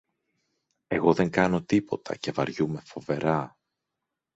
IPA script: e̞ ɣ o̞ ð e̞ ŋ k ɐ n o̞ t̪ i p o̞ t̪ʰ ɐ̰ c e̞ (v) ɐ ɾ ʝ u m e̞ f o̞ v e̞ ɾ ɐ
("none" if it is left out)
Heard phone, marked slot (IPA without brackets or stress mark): v